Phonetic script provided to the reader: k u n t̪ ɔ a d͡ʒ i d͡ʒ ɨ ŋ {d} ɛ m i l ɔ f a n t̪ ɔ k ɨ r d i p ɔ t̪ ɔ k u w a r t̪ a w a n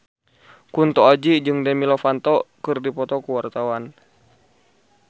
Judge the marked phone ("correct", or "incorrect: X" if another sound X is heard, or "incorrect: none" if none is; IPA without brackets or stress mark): correct